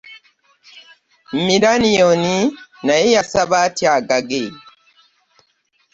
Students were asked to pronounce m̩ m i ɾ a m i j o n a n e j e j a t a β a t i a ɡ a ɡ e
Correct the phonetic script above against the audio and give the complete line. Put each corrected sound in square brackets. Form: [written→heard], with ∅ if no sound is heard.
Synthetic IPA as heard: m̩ m i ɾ a [m→n] i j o n [a→i] n [e→a] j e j a [t→s] a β a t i a ɡ a ɡ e